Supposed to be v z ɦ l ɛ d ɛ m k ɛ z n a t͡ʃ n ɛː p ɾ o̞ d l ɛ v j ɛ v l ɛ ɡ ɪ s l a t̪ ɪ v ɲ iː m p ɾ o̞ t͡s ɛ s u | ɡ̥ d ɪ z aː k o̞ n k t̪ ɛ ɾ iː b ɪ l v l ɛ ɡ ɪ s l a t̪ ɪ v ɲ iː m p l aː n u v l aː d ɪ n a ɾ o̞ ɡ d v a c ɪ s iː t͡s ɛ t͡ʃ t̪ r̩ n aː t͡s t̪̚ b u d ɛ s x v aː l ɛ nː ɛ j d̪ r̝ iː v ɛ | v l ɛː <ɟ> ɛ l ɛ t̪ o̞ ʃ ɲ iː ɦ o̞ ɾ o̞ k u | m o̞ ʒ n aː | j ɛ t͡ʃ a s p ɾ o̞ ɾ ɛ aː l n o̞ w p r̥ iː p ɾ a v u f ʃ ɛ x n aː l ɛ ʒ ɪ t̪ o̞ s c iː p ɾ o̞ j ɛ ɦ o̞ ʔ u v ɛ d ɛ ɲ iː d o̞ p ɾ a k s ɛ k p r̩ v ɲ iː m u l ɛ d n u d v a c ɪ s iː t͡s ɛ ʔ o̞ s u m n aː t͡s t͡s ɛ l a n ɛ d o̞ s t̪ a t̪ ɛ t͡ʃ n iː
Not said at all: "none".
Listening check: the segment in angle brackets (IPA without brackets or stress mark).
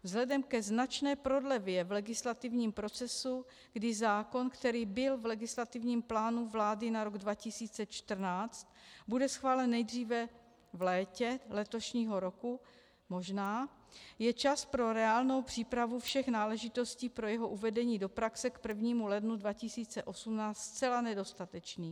c